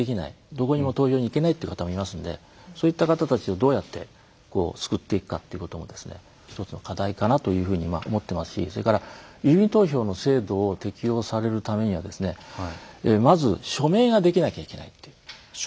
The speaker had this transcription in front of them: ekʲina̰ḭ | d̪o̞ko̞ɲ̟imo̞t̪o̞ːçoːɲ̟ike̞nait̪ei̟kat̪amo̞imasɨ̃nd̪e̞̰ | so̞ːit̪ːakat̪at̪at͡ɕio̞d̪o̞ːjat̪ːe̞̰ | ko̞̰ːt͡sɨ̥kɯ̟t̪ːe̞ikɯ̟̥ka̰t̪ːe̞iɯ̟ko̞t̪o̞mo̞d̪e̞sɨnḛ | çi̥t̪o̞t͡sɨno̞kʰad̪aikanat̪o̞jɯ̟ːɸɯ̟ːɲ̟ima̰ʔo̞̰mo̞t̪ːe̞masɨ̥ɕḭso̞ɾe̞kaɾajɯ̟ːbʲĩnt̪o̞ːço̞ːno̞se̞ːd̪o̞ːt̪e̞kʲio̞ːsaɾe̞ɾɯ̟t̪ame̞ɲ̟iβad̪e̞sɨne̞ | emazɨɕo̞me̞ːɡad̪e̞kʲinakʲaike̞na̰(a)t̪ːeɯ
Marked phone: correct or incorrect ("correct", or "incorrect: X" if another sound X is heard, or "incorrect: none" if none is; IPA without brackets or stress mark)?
incorrect: i